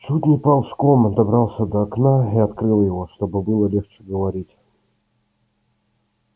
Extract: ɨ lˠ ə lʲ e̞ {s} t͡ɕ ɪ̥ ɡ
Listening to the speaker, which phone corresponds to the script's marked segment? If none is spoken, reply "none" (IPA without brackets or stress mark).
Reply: x